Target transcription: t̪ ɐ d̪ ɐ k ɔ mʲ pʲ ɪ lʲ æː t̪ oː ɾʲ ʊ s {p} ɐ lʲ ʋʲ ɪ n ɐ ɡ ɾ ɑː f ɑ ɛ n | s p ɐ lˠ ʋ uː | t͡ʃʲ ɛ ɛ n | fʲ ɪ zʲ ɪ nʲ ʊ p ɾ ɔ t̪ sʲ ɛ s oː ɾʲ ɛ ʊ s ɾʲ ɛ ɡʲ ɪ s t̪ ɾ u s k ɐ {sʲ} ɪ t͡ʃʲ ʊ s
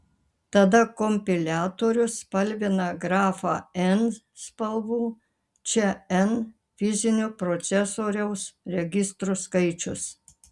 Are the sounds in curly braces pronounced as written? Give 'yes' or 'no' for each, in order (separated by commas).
yes, no